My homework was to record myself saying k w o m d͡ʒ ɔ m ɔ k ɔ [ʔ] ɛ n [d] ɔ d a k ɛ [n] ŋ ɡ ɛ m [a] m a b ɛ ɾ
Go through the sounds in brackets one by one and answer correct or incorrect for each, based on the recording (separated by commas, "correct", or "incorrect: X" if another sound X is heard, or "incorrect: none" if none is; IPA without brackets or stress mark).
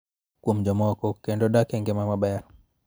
incorrect: k, correct, incorrect: none, correct